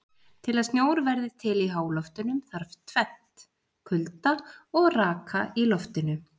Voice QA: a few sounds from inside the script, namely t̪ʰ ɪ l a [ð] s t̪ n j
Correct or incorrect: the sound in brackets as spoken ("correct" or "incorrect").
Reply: correct